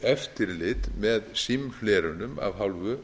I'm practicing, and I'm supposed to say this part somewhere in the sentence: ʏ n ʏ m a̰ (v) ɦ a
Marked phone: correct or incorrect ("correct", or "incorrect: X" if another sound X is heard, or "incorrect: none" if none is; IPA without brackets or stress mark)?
correct